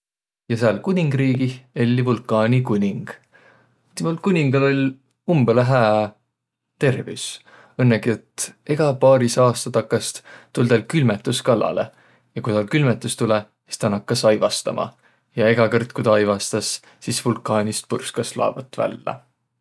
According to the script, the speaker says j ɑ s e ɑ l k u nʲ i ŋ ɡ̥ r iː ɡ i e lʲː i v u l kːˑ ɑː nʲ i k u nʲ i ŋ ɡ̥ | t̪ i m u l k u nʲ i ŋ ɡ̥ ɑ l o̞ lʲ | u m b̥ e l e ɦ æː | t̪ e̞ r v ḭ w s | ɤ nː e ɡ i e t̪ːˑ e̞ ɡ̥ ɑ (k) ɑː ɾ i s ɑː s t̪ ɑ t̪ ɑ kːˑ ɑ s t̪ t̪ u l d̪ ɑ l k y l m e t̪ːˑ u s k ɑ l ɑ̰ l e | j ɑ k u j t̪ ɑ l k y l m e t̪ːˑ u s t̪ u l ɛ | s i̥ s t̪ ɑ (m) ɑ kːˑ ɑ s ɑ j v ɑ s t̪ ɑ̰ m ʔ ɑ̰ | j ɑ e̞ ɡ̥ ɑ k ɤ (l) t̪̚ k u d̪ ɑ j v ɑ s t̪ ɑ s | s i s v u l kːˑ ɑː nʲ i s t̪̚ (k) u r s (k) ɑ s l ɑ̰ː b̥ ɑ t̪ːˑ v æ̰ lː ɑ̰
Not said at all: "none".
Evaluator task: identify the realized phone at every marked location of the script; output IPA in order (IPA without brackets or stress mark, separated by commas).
p, n, r, p, k